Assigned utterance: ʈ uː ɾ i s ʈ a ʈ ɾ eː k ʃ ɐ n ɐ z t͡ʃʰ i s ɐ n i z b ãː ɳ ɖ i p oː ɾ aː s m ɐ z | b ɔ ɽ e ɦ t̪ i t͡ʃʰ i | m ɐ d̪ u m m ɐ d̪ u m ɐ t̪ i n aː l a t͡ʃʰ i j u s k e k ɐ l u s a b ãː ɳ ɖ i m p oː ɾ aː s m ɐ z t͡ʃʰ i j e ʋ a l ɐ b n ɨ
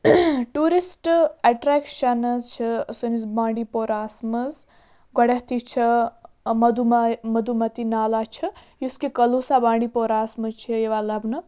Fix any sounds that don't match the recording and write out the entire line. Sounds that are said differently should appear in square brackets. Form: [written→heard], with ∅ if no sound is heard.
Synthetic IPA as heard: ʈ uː ɾ i s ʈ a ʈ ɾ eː k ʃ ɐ n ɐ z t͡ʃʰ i s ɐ n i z b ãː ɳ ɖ i p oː ɾ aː s m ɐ z | [b→ɡ] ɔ ɽ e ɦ t̪ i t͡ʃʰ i | m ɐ d̪ u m m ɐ d̪ u m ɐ t̪ i n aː l a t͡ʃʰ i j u s k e k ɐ l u s a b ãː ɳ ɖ i [m→∅] p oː ɾ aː s m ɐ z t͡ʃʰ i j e ʋ a l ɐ b n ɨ

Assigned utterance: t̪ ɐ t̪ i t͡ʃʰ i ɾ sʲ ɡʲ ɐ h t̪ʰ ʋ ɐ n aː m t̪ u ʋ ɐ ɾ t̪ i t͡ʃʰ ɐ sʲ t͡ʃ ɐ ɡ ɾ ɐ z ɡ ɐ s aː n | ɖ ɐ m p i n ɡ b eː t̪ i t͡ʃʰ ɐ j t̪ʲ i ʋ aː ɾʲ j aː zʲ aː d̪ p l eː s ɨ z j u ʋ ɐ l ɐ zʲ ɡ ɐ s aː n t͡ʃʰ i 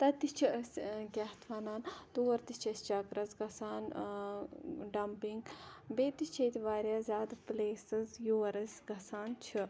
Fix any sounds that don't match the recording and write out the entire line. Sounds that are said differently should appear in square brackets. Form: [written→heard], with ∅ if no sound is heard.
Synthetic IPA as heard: t̪ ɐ t̪ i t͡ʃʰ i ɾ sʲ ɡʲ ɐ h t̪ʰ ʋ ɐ n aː [m→n] t̪ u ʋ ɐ ɾ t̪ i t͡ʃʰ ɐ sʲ t͡ʃ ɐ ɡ ɾ ɐ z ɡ ɐ s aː n | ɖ ɐ m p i [n→ŋ] ɡ b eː t̪ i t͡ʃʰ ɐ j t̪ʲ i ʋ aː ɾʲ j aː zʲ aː d̪ p l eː s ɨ z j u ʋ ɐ [l→ɾ] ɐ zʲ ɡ ɐ s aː n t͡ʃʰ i

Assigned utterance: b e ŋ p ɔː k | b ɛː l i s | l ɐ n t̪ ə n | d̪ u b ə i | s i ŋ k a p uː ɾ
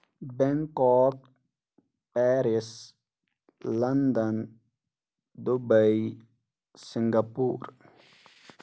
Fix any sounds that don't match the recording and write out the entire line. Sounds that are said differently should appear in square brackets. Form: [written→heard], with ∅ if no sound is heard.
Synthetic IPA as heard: b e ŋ [p→k] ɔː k | [b→p] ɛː [l→ɾ] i s | l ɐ n [t̪→d̪] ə n | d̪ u b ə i | s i ŋ [k→ɡ] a p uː ɾ

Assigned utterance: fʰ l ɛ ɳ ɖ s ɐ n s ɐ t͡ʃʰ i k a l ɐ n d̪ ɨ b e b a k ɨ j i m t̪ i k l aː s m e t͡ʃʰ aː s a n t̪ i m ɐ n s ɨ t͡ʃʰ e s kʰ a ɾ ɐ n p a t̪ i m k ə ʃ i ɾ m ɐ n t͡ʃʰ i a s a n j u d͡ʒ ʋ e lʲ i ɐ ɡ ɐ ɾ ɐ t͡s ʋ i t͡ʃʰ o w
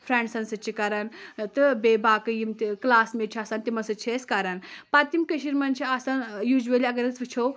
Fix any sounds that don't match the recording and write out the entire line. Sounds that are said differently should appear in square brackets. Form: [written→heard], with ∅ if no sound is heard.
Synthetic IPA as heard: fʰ [l→ɾ] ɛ ɳ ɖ s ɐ n s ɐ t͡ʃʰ i k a [l→ɾ] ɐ n [d̪→t̪] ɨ b e b a k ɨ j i m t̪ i k l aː s m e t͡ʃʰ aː s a n t̪ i m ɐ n s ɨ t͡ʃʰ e s [kʰ→k] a ɾ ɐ n p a t̪ i m k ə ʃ i ɾ m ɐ n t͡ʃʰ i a s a n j u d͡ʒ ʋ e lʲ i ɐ ɡ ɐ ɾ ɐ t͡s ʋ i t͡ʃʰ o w

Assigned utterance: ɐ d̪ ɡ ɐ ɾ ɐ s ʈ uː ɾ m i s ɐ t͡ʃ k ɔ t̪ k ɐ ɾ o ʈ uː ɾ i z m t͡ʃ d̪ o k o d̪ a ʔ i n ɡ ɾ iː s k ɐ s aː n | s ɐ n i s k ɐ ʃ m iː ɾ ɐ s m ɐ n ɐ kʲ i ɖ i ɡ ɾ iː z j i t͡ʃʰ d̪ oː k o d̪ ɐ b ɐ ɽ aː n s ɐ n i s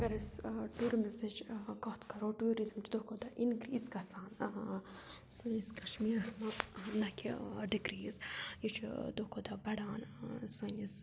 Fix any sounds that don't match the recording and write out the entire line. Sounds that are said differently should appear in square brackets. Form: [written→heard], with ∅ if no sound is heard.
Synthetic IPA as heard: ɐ [d̪→∅] ɡ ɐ ɾ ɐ s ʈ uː ɾ m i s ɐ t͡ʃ k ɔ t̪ k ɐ ɾ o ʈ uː ɾ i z m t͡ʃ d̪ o k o d̪ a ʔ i n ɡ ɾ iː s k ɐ s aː n | s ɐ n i s k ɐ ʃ m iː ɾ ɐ s m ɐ n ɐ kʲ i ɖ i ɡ ɾ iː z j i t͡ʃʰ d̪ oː k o d̪ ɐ b ɐ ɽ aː n s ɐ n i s

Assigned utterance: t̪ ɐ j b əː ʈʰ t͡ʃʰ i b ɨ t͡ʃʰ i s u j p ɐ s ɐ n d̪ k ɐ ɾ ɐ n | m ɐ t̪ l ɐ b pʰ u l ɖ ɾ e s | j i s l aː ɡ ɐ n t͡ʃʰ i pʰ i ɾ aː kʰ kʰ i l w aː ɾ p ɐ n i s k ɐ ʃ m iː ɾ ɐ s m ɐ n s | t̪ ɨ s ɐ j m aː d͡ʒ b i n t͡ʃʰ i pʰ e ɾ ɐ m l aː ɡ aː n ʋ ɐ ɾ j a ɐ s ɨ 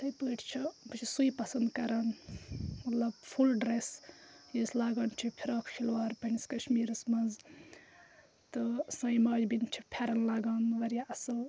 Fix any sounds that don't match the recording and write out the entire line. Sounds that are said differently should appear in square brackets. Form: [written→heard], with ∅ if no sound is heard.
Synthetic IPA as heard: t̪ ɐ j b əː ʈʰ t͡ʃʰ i b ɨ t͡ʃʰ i s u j p ɐ s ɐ n d̪ k ɐ ɾ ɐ n | m ɐ t̪ l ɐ b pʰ u l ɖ ɾ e s | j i s l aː ɡ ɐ n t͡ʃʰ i pʰ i ɾ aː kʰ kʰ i l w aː ɾ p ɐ n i s k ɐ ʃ m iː ɾ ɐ s m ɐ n [s→z] | t̪ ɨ s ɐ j m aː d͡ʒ b i n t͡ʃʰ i pʰ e ɾ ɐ [m→n] l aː ɡ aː n ʋ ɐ ɾ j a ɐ s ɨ

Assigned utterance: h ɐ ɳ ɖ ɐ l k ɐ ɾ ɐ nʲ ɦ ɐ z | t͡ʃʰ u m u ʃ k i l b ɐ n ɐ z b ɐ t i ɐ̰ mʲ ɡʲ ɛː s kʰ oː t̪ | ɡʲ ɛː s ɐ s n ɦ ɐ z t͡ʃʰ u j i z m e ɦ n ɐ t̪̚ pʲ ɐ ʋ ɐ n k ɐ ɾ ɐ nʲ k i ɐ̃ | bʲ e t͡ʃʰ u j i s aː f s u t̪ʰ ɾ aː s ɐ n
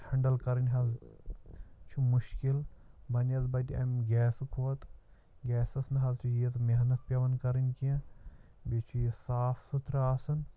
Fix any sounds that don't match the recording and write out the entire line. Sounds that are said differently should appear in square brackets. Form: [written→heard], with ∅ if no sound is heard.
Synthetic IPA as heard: h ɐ ɳ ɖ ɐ l k ɐ ɾ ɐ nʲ ɦ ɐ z | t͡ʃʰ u m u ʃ k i l b ɐ n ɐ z b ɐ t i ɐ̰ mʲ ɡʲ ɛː s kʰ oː t̪ | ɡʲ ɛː s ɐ s n ɦ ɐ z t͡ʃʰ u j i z m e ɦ n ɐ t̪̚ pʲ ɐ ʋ ɐ n k ɐ ɾ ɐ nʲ k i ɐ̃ | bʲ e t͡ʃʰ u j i s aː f s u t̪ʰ ɾ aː s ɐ n

